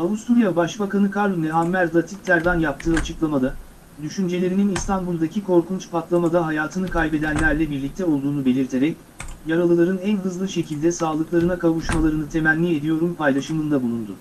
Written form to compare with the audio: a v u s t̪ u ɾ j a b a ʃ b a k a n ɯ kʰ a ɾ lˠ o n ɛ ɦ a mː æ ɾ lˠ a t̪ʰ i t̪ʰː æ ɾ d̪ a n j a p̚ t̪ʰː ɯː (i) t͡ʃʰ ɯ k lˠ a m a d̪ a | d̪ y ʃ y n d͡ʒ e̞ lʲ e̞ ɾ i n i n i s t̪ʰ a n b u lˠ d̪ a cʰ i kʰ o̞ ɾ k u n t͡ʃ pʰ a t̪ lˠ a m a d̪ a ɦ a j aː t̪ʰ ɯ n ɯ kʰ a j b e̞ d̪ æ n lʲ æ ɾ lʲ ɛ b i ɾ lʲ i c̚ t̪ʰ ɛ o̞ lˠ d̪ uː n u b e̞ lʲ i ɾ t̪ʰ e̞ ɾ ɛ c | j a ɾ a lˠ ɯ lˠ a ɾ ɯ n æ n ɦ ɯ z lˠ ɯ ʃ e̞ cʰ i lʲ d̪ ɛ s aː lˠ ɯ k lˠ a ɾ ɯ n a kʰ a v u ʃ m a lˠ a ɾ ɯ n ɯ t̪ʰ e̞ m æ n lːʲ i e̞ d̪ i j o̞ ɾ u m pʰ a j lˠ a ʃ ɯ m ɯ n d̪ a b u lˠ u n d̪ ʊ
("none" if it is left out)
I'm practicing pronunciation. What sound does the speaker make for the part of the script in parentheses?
a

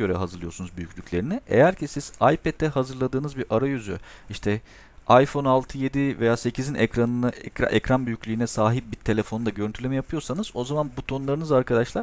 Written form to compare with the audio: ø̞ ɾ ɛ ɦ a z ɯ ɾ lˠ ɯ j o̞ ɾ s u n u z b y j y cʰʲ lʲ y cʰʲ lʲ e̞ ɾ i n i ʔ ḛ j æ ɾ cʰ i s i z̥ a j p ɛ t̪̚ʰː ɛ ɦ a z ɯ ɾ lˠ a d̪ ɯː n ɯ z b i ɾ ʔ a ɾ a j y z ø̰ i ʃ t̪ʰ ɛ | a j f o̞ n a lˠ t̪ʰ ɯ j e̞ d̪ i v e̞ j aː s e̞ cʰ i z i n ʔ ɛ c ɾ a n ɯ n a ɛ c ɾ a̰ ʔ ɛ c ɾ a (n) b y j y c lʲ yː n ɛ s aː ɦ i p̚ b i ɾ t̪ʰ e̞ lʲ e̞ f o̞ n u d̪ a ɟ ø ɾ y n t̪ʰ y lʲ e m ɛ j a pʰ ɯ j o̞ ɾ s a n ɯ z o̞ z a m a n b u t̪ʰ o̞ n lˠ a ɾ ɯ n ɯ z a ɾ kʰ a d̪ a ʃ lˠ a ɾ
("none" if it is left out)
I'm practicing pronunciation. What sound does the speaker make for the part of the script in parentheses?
n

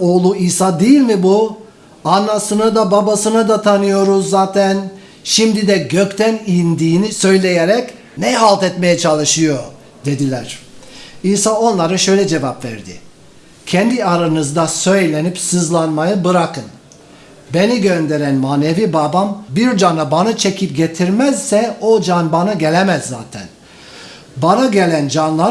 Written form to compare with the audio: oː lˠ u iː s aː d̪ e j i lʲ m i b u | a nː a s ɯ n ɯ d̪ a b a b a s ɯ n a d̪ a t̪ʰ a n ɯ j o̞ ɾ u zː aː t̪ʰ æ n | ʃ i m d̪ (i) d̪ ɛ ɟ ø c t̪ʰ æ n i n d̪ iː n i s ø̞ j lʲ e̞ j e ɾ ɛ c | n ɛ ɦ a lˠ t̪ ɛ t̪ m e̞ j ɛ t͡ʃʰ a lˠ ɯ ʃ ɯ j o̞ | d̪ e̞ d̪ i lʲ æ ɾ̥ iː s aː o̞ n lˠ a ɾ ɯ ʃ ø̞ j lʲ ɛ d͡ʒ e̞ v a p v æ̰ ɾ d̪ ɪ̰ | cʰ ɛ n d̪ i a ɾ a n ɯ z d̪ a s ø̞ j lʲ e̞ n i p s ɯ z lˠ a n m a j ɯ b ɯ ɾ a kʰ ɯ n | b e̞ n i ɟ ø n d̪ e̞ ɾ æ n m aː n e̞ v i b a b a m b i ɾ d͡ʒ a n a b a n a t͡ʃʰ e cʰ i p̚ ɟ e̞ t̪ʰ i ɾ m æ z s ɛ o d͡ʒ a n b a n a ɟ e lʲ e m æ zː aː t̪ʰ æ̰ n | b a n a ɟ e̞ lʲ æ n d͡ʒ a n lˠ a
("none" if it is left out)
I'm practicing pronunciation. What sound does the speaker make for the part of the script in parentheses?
i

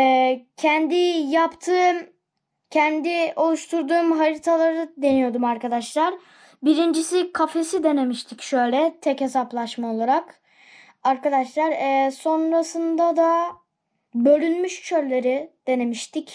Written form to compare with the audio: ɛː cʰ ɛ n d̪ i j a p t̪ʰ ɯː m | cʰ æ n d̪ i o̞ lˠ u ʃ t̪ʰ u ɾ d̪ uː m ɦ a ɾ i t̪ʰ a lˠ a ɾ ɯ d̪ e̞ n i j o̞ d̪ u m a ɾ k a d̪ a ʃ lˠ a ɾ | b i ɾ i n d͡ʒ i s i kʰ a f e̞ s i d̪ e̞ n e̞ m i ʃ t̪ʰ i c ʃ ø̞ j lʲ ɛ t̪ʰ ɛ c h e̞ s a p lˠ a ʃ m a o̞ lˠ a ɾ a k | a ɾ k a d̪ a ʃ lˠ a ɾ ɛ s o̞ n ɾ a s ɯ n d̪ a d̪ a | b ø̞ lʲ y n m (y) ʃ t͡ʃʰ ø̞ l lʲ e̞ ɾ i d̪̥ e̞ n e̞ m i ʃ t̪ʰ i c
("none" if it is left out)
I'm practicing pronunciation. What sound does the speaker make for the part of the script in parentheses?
y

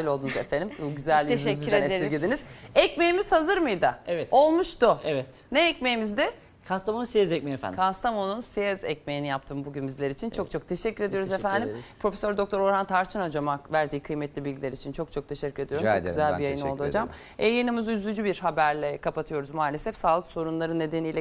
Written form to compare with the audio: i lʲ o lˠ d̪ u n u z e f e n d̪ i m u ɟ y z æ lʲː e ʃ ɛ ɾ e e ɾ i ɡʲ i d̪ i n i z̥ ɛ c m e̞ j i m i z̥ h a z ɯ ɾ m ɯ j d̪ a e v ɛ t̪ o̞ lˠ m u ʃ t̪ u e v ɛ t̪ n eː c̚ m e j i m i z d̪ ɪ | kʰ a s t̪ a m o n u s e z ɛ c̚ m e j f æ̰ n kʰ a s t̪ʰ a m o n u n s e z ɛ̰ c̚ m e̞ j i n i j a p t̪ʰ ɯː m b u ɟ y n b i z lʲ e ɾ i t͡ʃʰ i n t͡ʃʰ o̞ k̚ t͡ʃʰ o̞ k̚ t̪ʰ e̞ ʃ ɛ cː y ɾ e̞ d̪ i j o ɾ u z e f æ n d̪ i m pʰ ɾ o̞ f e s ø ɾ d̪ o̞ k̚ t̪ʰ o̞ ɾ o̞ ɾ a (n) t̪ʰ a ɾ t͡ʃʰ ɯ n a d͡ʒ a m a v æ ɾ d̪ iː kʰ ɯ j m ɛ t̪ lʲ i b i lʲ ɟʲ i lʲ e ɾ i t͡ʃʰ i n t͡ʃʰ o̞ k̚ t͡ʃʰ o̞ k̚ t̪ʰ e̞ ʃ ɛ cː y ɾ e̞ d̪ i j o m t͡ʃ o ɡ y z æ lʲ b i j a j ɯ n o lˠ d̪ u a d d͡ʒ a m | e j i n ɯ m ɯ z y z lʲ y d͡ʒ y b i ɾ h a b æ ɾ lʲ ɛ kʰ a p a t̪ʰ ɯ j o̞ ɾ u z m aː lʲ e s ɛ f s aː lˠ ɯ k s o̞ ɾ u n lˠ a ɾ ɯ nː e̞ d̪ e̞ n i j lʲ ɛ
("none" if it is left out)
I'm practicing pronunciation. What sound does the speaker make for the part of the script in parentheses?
n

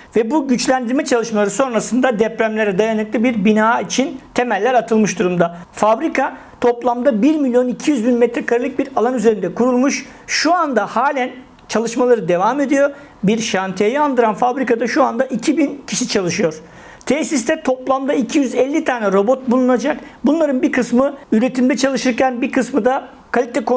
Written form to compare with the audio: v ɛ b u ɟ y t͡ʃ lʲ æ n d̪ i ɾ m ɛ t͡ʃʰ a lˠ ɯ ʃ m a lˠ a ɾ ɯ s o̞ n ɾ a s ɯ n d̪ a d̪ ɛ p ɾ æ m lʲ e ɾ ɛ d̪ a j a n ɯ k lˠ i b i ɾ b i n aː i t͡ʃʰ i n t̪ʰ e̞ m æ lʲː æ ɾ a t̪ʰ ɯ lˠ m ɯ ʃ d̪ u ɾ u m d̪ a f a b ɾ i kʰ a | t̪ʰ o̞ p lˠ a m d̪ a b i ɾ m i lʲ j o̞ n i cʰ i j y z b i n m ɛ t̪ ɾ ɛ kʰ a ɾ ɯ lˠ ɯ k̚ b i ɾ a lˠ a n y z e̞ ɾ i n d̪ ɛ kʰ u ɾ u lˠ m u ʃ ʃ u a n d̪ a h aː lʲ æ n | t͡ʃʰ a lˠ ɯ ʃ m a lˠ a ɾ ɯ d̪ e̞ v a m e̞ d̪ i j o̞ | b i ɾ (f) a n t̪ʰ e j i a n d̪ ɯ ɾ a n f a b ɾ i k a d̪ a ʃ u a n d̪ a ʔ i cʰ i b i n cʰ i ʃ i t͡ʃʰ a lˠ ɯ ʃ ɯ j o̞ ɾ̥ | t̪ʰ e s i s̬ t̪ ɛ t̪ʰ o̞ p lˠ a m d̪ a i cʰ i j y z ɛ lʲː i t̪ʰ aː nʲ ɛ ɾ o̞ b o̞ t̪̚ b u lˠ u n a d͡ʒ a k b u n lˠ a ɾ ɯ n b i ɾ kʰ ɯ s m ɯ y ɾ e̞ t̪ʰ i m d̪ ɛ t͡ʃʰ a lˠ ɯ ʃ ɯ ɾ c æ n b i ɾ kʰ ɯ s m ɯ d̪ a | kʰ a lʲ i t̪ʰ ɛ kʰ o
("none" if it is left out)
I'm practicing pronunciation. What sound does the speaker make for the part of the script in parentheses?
ʃ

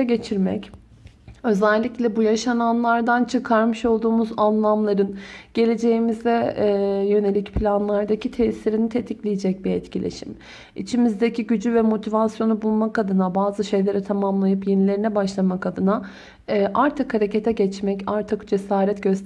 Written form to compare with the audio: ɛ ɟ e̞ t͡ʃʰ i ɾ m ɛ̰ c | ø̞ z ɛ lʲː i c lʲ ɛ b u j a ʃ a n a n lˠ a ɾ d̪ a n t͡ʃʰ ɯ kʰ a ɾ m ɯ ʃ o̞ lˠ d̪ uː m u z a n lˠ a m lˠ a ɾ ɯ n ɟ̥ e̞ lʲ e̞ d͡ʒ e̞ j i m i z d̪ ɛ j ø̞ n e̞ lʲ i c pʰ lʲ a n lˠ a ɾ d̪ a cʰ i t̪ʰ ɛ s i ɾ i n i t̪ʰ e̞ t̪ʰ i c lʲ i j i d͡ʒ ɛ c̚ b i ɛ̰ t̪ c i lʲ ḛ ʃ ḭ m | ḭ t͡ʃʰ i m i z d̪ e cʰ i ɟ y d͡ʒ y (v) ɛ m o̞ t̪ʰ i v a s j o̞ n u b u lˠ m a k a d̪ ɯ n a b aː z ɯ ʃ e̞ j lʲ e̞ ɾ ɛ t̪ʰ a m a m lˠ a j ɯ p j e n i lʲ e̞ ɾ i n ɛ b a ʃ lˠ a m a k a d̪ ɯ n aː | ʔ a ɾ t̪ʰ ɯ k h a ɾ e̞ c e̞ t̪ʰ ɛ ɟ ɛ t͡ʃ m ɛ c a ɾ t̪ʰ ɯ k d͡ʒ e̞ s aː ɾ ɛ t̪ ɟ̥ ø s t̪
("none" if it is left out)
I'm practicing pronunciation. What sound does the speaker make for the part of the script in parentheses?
v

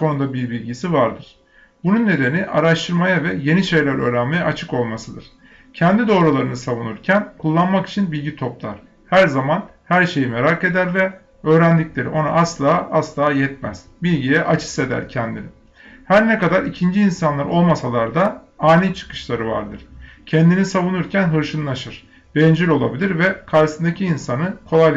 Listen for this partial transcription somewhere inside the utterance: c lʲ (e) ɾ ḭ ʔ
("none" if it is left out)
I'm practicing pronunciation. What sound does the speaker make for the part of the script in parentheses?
e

